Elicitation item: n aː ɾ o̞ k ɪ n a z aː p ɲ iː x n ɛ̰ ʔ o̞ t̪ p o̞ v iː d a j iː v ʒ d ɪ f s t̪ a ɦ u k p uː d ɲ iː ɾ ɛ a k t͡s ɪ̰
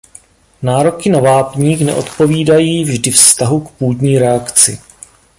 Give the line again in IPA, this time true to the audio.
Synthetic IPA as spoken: n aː ɾ o̞ k ɪ n a v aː p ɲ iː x n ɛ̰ ʔ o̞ t̪ p o̞ v iː d a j iː v ʒ d ɪ f s t̪ a ɦ u k p uː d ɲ iː ɾ ɛ a k t͡s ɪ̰